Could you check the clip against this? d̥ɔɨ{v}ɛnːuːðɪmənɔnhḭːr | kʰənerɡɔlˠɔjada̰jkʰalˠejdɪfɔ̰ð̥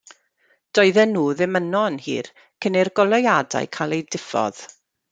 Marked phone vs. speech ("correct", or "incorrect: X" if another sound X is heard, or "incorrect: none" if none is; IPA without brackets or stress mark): incorrect: ð